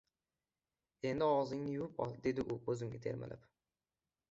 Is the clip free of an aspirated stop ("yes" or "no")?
no